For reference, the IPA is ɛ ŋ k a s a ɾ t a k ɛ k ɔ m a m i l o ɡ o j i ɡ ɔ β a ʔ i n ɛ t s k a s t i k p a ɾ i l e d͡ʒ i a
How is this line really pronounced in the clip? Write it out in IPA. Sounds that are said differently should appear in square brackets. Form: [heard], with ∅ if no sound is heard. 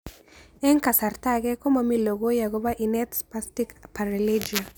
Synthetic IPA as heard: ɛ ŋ k a s a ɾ t a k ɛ k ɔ m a m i l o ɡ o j [a] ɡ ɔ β a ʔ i n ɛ t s [p] a s t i k p a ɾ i l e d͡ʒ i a